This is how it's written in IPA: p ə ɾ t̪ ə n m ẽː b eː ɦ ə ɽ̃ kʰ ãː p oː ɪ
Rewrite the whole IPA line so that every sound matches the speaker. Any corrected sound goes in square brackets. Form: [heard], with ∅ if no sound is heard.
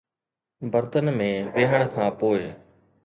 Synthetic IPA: [b] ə ɾ t̪ ə n m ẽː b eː ɦ ə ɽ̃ kʰ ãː p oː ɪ